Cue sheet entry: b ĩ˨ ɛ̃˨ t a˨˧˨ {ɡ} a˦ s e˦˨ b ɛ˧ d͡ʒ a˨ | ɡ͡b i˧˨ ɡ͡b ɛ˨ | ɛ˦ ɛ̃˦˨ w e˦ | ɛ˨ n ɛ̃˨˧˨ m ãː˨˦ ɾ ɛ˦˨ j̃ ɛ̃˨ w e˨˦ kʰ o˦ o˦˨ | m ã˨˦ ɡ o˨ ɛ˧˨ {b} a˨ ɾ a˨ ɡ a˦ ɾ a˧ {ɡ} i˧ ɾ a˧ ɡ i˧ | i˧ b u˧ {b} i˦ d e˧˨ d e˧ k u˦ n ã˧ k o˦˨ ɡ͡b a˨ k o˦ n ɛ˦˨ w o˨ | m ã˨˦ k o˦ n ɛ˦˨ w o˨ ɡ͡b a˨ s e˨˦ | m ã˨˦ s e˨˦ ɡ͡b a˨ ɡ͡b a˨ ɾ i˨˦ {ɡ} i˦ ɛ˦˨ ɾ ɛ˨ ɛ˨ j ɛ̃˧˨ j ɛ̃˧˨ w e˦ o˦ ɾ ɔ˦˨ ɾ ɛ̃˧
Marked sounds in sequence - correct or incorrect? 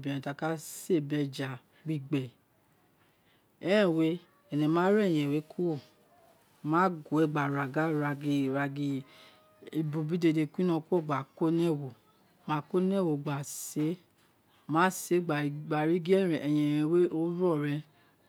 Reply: incorrect, incorrect, correct, correct, correct

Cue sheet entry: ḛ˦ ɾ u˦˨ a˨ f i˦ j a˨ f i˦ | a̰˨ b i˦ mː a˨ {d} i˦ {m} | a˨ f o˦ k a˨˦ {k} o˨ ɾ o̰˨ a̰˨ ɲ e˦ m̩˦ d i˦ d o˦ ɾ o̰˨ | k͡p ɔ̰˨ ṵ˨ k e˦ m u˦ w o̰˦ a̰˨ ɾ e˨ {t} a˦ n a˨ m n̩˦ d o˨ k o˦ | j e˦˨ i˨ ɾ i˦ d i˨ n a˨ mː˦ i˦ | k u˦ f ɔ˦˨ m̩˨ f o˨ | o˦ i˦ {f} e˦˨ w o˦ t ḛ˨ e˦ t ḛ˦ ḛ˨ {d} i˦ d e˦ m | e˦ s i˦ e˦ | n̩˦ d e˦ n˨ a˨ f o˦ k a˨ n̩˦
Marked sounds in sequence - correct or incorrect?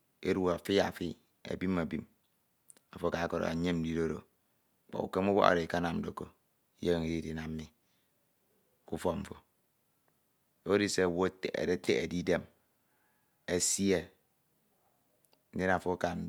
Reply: incorrect, correct, correct, incorrect, incorrect, correct

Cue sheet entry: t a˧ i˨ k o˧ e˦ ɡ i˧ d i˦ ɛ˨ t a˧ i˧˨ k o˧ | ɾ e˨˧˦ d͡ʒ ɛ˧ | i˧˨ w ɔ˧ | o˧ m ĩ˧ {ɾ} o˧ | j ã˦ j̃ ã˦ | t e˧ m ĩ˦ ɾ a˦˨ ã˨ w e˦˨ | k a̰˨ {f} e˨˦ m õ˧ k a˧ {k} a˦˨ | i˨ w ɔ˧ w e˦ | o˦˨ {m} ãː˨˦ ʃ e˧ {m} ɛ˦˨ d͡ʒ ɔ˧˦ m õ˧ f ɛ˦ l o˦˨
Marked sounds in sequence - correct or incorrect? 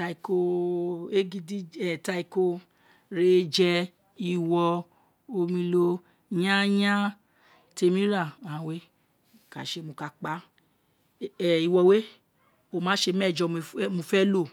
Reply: incorrect, incorrect, incorrect, correct, correct

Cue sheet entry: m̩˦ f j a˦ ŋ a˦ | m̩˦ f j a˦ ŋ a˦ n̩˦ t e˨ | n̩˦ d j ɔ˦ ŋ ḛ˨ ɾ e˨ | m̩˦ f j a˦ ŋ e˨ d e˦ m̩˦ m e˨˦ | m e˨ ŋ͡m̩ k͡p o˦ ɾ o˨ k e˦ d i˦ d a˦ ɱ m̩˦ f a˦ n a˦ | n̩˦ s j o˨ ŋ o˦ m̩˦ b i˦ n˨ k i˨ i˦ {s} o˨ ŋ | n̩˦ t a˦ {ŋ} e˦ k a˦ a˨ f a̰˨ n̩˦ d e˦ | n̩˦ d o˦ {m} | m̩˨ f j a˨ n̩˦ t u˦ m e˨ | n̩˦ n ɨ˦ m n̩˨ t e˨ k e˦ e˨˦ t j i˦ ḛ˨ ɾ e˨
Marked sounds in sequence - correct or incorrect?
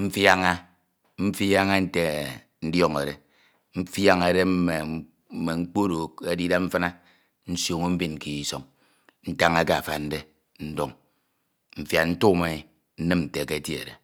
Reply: correct, correct, incorrect

